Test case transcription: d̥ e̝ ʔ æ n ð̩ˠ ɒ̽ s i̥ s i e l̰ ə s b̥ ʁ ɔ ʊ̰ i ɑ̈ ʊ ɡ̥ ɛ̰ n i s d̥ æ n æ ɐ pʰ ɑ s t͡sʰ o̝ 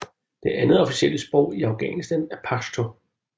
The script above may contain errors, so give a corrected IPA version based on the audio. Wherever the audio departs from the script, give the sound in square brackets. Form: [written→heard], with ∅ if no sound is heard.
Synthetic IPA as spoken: d̥ e̝ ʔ æ n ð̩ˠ ɒ̽ [s→f] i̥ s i e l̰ ə s b̥ ʁ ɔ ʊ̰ i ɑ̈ ʊ ɡ̥ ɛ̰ n i s d̥ æ n æ ɐ pʰ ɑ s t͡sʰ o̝